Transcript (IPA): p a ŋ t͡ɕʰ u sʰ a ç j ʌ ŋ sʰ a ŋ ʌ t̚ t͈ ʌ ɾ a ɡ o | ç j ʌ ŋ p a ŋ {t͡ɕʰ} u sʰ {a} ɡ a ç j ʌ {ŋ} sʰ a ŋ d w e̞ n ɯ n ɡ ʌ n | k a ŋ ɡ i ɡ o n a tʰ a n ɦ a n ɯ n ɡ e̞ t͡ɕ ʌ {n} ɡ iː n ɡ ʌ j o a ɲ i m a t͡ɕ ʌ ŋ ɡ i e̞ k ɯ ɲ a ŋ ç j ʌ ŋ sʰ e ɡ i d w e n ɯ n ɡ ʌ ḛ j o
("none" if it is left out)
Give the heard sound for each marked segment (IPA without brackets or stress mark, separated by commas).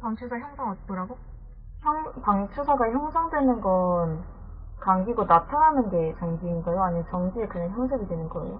t͡ɕʰ, a, ŋ, ŋ